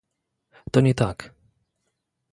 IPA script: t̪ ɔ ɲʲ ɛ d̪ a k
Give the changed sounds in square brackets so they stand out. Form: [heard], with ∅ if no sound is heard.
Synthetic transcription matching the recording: t̪ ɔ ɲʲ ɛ [t̪] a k